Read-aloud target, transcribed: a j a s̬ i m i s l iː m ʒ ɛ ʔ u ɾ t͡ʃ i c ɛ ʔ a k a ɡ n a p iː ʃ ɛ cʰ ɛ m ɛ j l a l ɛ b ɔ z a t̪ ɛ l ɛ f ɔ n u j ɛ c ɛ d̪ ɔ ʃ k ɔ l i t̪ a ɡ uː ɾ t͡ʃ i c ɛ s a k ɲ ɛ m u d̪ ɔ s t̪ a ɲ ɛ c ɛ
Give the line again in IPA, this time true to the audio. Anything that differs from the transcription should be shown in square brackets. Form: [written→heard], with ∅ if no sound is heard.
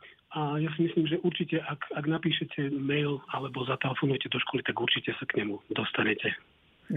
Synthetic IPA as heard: a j a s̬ i m i s l iː m ʒ ɛ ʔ u ɾ t͡ʃ i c ɛ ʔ a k a ɡ n a p iː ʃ ɛ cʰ ɛ m ɛ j l a l ɛ b ɔ z a t̪ ɛ l ɛ f ɔ n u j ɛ c ɛ d̪ ɔ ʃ k ɔ l i t̪ a ɡ [uː→u] ɾ t͡ʃ i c ɛ s a k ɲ ɛ m u d̪ ɔ s t̪ a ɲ ɛ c ɛ